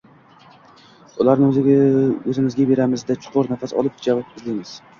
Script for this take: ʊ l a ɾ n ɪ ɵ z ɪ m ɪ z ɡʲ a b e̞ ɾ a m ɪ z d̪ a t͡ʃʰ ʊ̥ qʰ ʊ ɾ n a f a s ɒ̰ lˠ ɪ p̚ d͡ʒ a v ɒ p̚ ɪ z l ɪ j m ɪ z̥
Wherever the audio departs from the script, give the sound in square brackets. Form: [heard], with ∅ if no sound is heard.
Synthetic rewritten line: ʊ l a ɾ n ɪ ɵ z ɪ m ɪ z ɡʲ a b e̞ ɾ a m ɪ z d̪ a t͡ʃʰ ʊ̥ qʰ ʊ ɾ n a f a s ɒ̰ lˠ ɪ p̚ d͡ʒ a v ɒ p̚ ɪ z l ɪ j m ɪ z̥